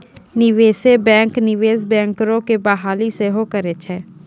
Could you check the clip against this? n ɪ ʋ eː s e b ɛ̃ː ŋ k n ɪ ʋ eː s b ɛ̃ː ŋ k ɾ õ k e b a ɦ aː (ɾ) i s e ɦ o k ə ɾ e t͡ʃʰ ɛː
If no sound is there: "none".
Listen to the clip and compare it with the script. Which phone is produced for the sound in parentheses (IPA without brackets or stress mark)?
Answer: l